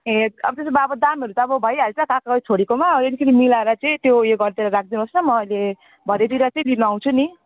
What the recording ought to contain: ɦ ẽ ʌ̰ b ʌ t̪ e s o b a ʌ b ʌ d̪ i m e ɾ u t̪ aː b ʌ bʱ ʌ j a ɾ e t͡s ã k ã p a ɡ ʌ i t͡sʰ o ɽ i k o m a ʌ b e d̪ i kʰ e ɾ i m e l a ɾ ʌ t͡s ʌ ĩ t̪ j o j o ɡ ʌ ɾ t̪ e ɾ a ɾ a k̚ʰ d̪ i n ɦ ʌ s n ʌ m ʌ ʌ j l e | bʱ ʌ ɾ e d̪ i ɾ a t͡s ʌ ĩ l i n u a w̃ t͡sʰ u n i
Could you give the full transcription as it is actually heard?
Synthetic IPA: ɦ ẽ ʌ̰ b ʌ t̪ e s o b a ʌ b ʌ d̪ a m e ɾ u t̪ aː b ʌ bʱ ʌ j a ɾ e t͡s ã k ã k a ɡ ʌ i t͡sʰ o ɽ i k o m a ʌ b e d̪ i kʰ e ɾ i m i l a ɾ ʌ t͡s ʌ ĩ t̪ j o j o ɡ ʌ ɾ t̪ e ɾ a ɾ a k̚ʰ d̪ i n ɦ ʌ s n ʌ m ʌ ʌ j l e | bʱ ʌ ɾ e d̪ i ɾ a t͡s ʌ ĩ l i n u a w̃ t͡sʰ u n i